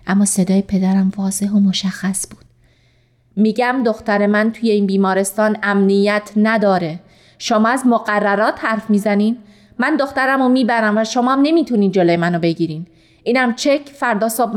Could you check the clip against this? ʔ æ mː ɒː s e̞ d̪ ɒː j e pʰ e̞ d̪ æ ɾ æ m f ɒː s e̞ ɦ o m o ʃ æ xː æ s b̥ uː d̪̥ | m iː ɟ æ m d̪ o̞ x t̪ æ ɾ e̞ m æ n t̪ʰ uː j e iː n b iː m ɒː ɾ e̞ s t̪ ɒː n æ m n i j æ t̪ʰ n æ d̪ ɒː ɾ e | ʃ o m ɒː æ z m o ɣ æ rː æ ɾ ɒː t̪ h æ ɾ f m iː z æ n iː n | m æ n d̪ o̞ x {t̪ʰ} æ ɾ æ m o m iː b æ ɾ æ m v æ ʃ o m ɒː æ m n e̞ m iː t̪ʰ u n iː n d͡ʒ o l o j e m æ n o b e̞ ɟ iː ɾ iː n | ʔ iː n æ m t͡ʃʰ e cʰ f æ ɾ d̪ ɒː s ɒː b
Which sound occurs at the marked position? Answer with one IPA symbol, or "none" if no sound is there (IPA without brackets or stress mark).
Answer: t̪